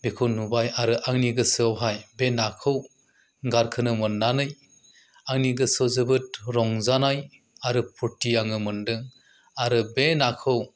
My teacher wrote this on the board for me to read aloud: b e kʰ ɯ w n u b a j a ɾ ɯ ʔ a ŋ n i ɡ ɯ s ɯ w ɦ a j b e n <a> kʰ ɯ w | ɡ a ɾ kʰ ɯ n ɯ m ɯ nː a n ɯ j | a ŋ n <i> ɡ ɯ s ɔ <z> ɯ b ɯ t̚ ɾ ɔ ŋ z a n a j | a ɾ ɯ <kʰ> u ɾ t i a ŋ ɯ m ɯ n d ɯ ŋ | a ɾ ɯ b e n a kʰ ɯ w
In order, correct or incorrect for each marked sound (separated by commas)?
correct, correct, correct, incorrect